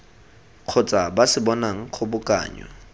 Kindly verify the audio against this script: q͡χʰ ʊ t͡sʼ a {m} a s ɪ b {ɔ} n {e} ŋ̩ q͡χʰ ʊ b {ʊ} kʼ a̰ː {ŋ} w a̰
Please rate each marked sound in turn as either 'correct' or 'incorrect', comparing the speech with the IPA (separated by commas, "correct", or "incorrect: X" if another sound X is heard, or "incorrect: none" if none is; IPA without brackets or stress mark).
incorrect: b, correct, incorrect: a, correct, incorrect: ɲ